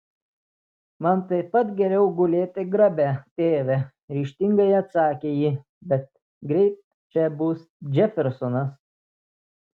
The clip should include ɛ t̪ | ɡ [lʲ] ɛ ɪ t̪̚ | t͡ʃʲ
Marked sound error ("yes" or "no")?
yes